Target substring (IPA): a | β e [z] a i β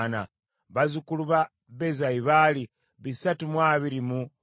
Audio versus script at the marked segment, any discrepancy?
no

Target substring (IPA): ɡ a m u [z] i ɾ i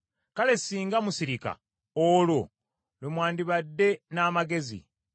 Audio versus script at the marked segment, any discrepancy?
yes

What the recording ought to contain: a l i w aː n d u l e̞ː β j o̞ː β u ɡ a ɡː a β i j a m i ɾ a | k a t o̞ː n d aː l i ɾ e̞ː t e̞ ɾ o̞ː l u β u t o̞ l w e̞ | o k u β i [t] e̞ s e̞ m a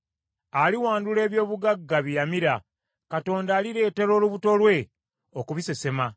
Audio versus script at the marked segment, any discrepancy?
yes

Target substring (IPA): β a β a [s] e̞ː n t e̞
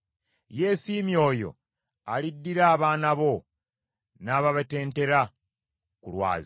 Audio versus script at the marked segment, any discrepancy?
yes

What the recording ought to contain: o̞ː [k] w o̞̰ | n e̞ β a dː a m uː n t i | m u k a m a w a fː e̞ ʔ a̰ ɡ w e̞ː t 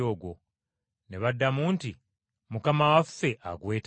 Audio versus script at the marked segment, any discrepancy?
yes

